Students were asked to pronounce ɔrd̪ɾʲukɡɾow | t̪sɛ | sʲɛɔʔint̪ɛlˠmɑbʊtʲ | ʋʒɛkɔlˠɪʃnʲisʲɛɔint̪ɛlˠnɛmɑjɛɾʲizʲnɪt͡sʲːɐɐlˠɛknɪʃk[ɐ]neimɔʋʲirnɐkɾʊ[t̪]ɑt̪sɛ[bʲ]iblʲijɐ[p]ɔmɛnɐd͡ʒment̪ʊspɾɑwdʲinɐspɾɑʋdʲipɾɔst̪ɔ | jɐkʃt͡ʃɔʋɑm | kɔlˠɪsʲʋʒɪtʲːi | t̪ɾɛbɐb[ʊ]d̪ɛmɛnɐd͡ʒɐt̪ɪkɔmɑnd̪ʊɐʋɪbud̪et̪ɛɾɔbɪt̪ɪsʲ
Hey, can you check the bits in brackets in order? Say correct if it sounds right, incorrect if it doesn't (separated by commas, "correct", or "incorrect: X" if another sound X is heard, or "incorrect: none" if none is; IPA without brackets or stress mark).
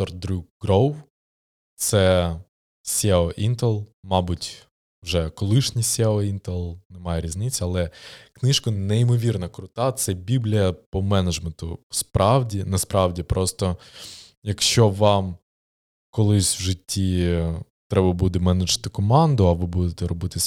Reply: correct, correct, correct, correct, incorrect: u